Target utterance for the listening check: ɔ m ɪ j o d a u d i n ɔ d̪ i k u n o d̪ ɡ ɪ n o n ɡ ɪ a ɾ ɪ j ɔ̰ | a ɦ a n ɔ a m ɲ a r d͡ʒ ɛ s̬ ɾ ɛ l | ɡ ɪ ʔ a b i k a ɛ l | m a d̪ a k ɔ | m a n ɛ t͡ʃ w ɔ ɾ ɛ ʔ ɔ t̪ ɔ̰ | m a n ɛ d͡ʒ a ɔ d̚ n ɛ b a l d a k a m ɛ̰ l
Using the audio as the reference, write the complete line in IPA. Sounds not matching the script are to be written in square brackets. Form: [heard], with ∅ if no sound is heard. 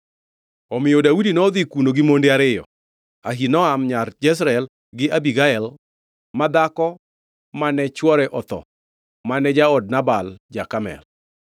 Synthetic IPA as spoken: ɔ m ɪ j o d a u d i n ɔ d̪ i k u n o [∅] ɡ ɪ [m] o n [d] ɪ a ɾ ɪ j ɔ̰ | a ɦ [i] n ɔ a m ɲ a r d͡ʒ ɛ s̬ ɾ ɛ l | ɡ ɪ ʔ a b i [ɡ] a ɛ l | m a d̪ a k ɔ | m a n ɛ t͡ʃ w ɔ ɾ ɛ ʔ ɔ t̪ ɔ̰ | m a n ɛ d͡ʒ a ɔ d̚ n [a] b a l [d͡ʒ] a k a m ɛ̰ l